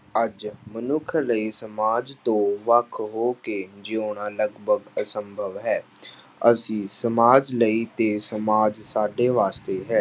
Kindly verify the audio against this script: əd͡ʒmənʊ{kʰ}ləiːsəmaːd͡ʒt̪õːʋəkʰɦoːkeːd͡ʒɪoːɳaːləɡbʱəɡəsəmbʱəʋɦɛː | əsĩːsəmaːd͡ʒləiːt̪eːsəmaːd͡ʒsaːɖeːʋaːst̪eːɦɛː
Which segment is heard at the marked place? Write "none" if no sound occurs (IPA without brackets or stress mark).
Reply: kʰ